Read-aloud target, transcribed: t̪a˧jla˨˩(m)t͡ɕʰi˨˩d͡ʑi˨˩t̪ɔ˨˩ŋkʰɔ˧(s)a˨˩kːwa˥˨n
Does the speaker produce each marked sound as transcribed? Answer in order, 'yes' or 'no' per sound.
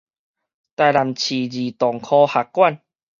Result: yes, no

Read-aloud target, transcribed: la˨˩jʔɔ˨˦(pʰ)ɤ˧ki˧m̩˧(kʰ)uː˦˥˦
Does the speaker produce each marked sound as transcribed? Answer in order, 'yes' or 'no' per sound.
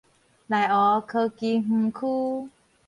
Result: no, yes

